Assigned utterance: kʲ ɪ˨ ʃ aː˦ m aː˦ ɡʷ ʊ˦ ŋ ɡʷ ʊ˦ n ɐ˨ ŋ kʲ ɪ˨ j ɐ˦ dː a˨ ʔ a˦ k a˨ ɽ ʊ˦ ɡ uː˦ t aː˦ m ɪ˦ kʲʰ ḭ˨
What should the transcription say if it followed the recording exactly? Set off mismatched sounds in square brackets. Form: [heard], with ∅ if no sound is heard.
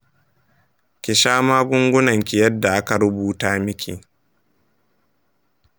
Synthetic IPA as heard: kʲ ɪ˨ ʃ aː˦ m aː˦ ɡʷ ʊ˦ ŋ ɡʷ ʊ˦ n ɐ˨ ŋ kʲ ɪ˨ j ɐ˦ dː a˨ ʔ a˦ k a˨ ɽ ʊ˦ [b] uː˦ t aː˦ m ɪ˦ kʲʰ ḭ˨